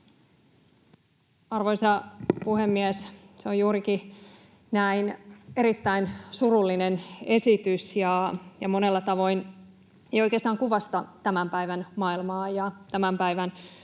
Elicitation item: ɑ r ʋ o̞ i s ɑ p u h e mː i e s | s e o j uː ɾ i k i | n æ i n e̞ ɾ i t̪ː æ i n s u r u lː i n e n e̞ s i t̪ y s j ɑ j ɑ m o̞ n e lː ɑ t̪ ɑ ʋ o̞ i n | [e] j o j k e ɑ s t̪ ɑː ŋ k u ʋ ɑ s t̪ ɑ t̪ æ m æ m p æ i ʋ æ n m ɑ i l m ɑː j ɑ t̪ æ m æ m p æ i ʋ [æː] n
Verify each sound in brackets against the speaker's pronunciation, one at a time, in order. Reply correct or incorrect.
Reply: correct, incorrect: æ

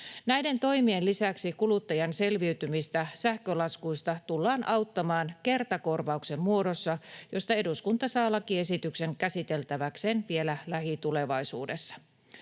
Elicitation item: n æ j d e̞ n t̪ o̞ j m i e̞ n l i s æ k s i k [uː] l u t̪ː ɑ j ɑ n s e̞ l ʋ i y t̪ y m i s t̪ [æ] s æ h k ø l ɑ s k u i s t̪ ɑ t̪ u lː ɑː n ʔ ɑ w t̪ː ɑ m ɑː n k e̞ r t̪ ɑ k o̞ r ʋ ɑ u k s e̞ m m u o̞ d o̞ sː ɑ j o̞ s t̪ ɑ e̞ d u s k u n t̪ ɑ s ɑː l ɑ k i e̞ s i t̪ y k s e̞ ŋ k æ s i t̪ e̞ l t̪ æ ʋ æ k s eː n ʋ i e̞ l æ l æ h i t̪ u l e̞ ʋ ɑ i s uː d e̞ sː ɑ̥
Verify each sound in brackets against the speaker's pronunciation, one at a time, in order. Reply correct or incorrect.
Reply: incorrect: u, correct

